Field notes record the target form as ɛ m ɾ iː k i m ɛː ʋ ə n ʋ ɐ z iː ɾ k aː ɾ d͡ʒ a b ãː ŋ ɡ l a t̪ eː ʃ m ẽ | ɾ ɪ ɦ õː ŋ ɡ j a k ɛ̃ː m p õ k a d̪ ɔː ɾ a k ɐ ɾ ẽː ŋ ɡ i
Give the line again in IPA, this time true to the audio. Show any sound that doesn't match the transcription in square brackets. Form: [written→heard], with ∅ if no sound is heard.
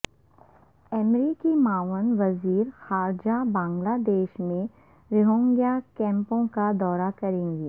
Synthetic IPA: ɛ m ɾ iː k i m [ɛː→aː] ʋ ə n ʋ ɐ z iː ɾ [k→x] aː ɾ d͡ʒ a b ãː ŋ ɡ l a [t̪→d̪] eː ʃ m ẽ | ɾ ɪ ɦ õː ŋ ɡ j a k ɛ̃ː m p õ k a d̪ ɔː ɾ a k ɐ ɾ ẽː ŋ ɡ i